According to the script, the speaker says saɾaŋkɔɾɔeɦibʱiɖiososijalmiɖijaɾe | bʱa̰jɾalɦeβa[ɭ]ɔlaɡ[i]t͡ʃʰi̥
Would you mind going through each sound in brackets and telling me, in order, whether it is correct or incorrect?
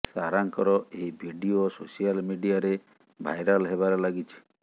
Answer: incorrect: ɾ, correct

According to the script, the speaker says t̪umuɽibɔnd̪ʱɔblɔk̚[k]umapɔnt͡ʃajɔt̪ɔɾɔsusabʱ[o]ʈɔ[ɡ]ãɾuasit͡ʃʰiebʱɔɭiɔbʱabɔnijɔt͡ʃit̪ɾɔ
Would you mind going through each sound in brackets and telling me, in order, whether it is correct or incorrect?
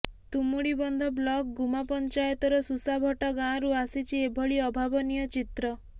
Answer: incorrect: ɡ, incorrect: ɔ, correct

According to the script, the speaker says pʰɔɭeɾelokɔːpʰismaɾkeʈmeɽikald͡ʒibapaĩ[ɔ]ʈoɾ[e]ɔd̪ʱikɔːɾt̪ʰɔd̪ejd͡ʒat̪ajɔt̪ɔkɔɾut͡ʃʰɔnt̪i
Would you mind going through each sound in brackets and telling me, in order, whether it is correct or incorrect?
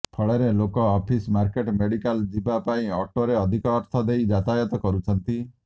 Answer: correct, correct

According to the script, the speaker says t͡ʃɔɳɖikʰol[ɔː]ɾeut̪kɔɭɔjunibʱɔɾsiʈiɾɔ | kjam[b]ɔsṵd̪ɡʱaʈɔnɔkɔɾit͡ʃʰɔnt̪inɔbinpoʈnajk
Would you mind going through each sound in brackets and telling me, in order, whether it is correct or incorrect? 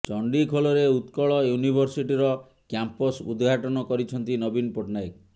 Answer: incorrect: ɔ, incorrect: p

